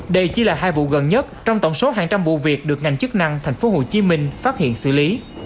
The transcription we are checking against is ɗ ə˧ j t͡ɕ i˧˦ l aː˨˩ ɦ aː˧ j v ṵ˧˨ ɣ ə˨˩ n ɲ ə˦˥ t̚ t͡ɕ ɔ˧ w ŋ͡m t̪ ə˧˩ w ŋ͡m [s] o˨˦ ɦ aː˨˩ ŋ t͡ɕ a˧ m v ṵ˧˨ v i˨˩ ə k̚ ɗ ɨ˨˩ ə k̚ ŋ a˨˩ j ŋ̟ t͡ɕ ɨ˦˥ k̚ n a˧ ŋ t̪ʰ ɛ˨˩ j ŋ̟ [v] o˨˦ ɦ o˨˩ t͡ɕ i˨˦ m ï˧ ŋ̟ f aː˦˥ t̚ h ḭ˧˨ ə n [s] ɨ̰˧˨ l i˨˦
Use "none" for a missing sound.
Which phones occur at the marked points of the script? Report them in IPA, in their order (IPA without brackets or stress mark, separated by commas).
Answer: s, f, s